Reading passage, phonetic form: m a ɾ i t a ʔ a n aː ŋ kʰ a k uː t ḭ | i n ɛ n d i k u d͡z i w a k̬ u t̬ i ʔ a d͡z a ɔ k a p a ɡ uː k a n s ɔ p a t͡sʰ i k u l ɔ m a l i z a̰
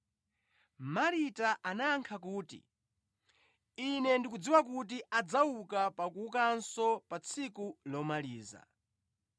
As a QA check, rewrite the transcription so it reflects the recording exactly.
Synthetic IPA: m a ɾ i t a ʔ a n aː ŋ kʰ a k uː t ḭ | i n ɛ n d i k u d͡z i w a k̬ u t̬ i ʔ a d͡z a u k a p a k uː k a n s ɔ p a t͡sʰ i k u l ɔ m a l iː z a̰